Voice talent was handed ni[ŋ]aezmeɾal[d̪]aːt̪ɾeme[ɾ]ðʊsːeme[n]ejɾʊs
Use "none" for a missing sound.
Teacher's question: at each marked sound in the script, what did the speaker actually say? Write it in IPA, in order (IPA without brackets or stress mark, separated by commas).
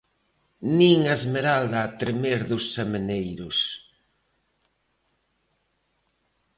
ŋ, d̪, ɾ, n